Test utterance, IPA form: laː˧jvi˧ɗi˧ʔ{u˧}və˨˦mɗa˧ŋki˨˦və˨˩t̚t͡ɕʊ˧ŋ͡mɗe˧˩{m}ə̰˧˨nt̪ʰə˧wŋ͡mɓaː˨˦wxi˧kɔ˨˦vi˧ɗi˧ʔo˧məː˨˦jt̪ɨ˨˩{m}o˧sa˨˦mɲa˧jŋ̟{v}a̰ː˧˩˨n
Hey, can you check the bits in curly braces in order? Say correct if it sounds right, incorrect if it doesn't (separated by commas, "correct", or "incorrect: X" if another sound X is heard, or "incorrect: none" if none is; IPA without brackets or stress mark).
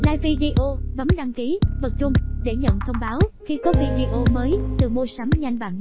incorrect: o˧, incorrect: ɲ, correct, correct